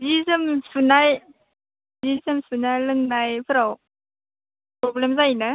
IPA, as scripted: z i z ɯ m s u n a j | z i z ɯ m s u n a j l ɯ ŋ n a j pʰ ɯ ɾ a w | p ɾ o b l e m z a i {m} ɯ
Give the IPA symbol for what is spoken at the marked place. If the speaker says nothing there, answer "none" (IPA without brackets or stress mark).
n